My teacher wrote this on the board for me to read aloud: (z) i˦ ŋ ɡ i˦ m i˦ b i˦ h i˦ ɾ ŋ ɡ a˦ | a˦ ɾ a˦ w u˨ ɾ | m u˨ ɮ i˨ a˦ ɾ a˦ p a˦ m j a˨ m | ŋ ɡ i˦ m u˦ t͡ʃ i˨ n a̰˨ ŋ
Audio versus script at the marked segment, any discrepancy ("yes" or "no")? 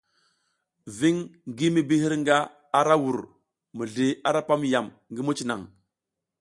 yes